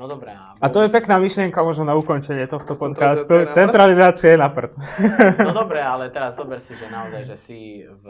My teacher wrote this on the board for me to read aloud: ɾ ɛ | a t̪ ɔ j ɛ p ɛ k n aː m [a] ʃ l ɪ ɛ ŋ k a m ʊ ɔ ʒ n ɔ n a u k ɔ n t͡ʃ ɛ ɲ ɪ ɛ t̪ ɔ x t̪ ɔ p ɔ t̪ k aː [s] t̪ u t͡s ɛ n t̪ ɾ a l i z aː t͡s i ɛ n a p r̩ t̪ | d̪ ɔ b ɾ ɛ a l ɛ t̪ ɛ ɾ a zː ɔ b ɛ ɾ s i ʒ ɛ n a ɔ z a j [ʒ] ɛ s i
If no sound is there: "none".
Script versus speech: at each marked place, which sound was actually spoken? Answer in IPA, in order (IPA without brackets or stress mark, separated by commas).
i, s, ʒ